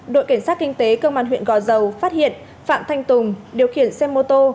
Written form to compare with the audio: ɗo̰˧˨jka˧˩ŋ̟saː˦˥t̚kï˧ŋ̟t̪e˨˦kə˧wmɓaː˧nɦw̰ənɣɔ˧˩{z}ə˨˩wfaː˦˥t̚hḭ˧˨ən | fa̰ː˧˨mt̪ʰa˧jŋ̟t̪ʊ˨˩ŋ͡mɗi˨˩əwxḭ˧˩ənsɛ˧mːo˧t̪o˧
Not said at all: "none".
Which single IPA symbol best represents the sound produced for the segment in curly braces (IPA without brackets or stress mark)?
z